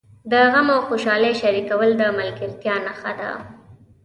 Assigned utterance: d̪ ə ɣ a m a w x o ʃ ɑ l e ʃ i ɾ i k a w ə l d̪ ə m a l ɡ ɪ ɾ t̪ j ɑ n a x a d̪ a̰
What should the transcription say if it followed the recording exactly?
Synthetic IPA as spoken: d̪ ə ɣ a m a w x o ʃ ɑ l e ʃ a ɾ i k a w ə l d̪ ə m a l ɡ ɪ ɾ t̪ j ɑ n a x a d̪ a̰